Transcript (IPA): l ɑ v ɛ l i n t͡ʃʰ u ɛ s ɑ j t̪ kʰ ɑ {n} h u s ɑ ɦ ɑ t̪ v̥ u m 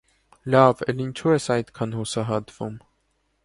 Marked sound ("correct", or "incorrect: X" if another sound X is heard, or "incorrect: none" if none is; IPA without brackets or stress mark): correct